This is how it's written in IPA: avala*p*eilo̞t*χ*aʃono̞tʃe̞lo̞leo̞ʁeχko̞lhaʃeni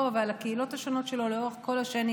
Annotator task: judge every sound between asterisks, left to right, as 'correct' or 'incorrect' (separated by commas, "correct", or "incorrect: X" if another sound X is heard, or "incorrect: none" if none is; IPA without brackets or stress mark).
incorrect: k, incorrect: h